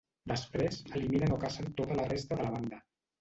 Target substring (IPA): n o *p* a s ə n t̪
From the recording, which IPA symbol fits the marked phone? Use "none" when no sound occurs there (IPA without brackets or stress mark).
k